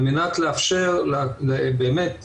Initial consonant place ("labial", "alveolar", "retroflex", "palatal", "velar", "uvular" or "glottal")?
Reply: labial